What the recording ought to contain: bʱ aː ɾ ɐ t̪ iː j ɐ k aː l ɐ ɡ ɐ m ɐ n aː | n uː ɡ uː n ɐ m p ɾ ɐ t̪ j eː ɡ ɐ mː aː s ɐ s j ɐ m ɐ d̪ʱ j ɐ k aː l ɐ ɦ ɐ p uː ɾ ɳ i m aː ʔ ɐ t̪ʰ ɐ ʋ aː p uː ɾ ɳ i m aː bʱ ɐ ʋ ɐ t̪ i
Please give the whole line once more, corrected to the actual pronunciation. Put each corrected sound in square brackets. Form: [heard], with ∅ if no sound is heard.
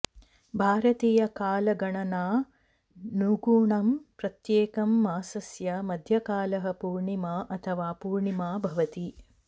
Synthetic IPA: bʱ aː ɾ ɐ t̪ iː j ɐ k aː l ɐ ɡ ɐ [ɳ] ɐ n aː | n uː ɡ uː [ɳ] ɐ m p ɾ ɐ t̪ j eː [k] ɐ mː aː s ɐ s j ɐ m ɐ d̪ʱ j ɐ k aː l ɐ ɦ ɐ p uː ɾ ɳ i m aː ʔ ɐ t̪ʰ ɐ ʋ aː p uː ɾ ɳ i m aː bʱ ɐ ʋ ɐ t̪ i